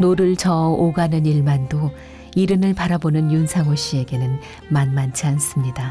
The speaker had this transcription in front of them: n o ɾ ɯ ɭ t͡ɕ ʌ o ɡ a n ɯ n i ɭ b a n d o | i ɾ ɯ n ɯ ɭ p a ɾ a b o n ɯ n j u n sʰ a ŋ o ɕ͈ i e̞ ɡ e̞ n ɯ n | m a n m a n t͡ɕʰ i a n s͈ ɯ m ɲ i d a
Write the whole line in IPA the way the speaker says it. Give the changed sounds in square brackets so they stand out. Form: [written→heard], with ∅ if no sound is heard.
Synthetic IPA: n o ɾ ɯ ɭ t͡ɕ ʌ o ɡ a n ɯ n i ɭ [b→m] a n d o | i ɾ ɯ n ɯ ɭ p a ɾ a b o n ɯ n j u n sʰ a ŋ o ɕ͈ i e̞ ɡ e̞ n ɯ n | m a n m a n t͡ɕʰ i a n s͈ ɯ m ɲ i d a

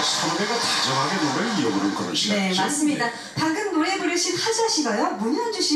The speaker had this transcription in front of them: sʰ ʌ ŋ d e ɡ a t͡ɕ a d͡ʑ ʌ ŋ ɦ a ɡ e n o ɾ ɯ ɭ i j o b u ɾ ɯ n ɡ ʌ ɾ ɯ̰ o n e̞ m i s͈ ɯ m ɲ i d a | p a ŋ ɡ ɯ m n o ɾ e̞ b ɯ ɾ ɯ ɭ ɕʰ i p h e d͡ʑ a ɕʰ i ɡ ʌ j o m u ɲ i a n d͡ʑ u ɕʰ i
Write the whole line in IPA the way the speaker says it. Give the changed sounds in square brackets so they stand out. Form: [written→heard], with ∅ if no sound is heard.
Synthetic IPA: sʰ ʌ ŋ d e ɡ a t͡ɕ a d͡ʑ ʌ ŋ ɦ a ɡ e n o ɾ ɯ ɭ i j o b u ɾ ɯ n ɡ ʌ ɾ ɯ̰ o n e̞ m [i→a] s͈ ɯ m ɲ i d a | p a ŋ ɡ ɯ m n o ɾ e̞ b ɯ ɾ ɯ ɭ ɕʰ i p h [e→a] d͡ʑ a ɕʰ i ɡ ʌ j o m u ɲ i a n d͡ʑ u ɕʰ i

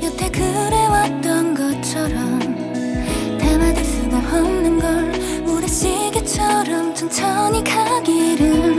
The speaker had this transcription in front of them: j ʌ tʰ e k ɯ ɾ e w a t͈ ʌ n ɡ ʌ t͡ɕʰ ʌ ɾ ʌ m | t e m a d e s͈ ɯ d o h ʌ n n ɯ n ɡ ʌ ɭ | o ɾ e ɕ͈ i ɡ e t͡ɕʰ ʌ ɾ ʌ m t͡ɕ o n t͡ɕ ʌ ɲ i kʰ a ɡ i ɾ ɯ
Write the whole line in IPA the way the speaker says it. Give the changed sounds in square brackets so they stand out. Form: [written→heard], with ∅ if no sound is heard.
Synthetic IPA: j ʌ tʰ e k ɯ ɾ e w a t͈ ʌ n ɡ ʌ t͡ɕʰ ʌ ɾ ʌ m | t e m a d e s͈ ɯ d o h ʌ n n ɯ n ɡ ʌ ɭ | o ɾ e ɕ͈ i ɡ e t͡ɕʰ ʌ ɾ ʌ m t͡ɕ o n [t͡ɕ→t͡ɕʰ] ʌ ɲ i kʰ a ɡ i ɾ ɯ

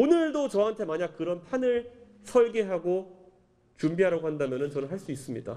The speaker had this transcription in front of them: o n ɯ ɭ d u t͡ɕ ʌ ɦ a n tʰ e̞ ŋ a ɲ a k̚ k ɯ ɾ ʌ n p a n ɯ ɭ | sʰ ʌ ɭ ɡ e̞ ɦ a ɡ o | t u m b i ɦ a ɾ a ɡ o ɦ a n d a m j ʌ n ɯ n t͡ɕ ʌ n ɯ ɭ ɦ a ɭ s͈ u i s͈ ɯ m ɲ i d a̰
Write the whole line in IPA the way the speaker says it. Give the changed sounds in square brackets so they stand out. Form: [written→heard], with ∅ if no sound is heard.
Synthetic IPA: o n ɯ ɭ d [u→o] t͡ɕ ʌ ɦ a n tʰ e̞ [ŋ→m] a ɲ a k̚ k ɯ ɾ ʌ n [p→pʰ] a n ɯ ɭ | sʰ ʌ ɭ ɡ e̞ ɦ a ɡ o | [t→t͡ɕ] u m b i ɦ a ɾ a ɡ o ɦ a n d a m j ʌ n ɯ n t͡ɕ ʌ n ɯ ɭ ɦ a ɭ s͈ u i s͈ ɯ m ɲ i d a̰

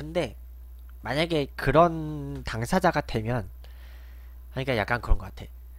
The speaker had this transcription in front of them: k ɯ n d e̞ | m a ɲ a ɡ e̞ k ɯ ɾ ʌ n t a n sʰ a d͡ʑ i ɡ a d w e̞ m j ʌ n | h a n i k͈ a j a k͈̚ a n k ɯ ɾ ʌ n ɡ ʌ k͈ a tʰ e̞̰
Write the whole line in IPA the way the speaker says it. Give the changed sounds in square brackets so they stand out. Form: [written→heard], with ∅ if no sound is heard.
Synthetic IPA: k ɯ n d e̞ | m a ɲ a ɡ e̞ k ɯ ɾ ʌ n t a [n→ŋ] sʰ a d͡ʑ [i→a] ɡ a d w e̞ m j ʌ n | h a [n→ɲ] i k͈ a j a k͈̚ a n k ɯ ɾ ʌ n ɡ ʌ k͈ a tʰ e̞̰

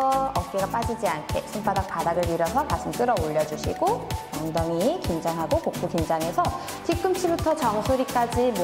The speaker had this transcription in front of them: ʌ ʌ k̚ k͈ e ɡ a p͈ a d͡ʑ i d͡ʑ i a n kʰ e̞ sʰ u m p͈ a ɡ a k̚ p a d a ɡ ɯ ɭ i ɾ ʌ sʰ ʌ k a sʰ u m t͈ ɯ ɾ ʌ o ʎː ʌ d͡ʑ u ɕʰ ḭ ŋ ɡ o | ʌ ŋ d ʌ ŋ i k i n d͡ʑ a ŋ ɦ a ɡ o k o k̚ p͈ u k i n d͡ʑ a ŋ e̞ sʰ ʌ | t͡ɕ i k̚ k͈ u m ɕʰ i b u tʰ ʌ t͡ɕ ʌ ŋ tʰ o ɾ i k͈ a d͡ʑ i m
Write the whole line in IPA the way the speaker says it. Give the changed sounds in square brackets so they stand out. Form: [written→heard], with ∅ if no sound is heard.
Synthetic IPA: ʌ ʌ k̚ k͈ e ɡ a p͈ a d͡ʑ i d͡ʑ i a n kʰ e̞ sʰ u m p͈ a [ɡ→d] a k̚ p a d a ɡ ɯ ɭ i ɾ ʌ sʰ ʌ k a sʰ [u→ɯ] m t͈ ɯ ɾ ʌ o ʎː ʌ d͡ʑ u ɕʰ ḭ [ŋ→∅] ɡ o | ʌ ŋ d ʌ ŋ i k i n d͡ʑ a ŋ ɦ a ɡ o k o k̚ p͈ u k i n d͡ʑ a ŋ e̞ sʰ ʌ | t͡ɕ i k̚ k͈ [u→ɯ] m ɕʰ i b u tʰ ʌ t͡ɕ ʌ ŋ [tʰ→sʰ] o ɾ i k͈ a d͡ʑ i m

